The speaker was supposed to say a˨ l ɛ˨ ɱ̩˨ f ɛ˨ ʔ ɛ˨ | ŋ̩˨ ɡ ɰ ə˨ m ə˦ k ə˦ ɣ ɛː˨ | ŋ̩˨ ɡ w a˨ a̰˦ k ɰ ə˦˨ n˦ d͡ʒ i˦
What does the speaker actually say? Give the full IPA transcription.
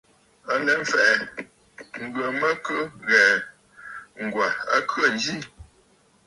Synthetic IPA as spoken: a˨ l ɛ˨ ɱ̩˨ f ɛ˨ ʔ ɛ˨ | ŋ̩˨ ɡ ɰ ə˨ m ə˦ k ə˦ ɣ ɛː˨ | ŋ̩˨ ɡ w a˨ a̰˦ k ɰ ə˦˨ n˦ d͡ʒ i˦